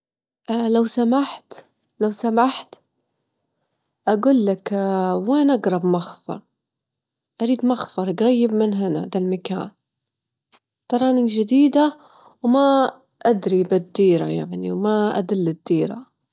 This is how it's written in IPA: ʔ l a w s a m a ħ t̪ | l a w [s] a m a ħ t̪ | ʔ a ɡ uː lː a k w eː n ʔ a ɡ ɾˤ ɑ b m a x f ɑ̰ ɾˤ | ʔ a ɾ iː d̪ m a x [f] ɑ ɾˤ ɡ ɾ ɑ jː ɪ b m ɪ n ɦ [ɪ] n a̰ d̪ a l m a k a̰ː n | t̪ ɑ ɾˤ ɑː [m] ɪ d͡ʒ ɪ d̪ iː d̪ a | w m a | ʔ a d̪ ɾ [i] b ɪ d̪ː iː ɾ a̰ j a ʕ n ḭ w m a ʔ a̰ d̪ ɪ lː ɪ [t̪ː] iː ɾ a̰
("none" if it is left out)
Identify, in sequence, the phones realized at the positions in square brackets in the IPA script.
s, f, ɪ, n, i, d̪ː

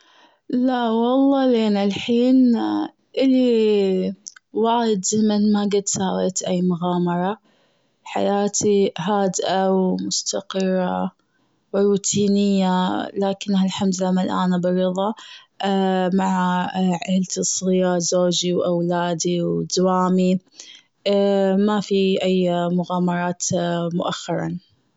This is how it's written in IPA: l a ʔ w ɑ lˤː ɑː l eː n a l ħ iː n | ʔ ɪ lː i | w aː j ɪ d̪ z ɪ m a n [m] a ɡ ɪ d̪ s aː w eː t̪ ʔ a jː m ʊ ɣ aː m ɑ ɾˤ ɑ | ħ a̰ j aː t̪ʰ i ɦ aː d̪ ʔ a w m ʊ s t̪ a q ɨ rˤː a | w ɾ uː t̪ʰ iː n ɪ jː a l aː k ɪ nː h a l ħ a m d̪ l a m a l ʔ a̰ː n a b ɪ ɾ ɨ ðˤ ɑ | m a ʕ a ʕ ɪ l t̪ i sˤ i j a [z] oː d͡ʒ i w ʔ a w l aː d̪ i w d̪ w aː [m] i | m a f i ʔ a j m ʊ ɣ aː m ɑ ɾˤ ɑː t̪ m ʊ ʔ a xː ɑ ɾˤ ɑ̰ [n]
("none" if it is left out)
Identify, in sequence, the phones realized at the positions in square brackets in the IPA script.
m, z, m, n

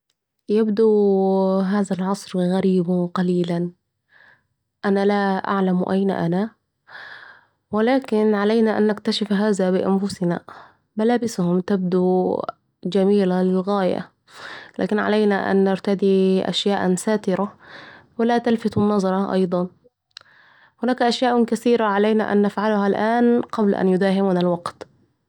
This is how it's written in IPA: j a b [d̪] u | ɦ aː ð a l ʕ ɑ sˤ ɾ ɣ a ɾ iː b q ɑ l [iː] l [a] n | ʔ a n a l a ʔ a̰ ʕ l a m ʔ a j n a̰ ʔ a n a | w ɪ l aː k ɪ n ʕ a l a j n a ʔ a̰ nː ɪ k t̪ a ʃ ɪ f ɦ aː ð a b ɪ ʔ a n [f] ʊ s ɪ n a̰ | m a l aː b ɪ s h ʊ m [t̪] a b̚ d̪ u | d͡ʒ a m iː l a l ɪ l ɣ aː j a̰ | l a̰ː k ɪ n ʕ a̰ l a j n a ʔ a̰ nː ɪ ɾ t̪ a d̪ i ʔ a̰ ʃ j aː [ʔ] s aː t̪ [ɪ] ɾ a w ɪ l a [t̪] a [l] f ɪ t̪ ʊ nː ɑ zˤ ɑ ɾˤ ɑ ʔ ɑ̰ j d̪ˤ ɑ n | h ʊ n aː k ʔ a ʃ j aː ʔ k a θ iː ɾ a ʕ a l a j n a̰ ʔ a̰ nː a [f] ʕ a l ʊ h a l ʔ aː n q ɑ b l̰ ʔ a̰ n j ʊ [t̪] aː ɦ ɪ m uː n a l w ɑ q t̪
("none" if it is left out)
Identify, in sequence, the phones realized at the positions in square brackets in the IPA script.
d̪, iː, a, f, t̪, ʔ, ɪ, t̪, l, f, d̪

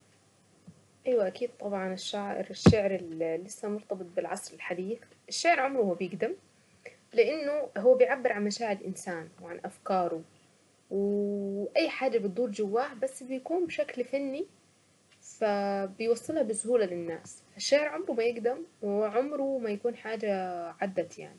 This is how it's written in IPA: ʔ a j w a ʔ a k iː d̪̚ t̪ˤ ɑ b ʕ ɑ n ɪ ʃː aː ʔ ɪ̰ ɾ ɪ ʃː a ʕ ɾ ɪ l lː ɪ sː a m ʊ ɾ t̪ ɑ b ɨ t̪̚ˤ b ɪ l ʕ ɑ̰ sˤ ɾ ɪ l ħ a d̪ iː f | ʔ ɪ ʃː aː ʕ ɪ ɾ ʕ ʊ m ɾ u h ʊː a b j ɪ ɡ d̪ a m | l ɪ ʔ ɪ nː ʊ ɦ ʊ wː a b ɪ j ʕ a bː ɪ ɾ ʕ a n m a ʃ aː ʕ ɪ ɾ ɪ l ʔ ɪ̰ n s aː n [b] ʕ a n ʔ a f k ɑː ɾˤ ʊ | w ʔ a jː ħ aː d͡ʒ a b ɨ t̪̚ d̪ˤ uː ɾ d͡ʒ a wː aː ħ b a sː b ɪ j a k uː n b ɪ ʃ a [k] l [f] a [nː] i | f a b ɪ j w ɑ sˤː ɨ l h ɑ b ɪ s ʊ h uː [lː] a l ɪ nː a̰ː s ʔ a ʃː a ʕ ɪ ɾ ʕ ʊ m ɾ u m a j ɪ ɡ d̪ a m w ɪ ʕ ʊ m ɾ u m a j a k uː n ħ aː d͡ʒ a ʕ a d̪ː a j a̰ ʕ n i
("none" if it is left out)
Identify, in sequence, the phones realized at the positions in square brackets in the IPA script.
w, k, f, nː, l

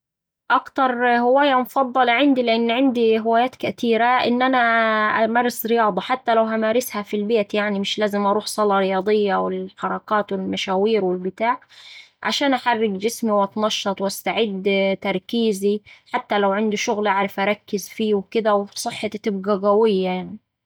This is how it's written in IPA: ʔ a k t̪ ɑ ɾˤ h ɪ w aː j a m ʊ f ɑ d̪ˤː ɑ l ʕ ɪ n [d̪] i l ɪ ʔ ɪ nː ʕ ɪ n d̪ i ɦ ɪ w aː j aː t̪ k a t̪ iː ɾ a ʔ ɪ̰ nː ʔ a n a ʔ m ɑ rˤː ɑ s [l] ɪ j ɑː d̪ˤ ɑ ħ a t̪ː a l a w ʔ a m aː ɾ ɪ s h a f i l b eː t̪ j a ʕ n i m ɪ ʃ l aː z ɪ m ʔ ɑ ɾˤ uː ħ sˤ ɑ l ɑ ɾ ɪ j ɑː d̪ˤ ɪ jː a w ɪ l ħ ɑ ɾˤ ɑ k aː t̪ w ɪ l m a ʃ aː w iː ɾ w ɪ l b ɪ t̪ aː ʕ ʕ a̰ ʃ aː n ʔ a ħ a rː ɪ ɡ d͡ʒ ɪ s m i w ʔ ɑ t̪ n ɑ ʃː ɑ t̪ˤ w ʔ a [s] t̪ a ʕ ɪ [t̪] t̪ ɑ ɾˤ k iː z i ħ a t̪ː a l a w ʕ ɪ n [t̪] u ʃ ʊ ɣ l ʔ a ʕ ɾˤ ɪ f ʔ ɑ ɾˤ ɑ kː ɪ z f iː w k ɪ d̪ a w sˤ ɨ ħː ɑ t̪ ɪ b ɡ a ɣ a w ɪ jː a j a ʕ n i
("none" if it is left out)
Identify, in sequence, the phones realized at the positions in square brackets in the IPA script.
d̪, ɾ, s, d̪, d̪

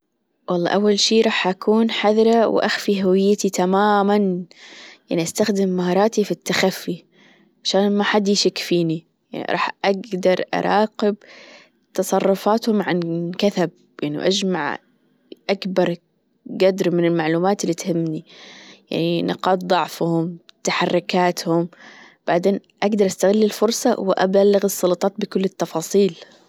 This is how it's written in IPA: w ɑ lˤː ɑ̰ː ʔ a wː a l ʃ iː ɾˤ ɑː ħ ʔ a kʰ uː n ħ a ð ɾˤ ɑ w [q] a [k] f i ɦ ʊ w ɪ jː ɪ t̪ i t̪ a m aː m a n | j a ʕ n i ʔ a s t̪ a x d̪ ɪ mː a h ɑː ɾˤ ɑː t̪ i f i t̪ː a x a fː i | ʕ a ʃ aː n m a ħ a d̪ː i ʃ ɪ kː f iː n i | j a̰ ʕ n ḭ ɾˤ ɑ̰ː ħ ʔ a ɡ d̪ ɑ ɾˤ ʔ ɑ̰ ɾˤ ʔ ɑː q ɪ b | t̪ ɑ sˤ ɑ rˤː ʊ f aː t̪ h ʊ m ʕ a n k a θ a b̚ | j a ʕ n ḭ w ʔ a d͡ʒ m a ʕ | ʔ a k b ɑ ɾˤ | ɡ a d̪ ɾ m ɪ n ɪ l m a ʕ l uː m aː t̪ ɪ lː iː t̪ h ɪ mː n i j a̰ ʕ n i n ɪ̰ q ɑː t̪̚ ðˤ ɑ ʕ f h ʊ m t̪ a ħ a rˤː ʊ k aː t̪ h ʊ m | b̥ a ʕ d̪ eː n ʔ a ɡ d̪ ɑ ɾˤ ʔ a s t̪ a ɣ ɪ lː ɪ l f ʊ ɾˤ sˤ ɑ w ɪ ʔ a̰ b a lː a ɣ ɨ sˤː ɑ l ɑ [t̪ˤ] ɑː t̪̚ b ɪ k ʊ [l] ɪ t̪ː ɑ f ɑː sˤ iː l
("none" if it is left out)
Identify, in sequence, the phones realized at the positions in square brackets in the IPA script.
ʔ, x, t̪ˤ, lː

